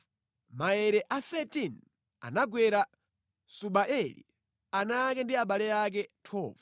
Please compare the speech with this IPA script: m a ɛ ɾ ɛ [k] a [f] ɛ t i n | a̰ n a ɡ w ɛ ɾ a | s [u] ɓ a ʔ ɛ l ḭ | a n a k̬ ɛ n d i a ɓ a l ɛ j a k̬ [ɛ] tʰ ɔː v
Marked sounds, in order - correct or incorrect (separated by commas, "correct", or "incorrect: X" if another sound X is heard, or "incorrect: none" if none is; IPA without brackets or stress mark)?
incorrect: ʔ, incorrect: θ, correct, correct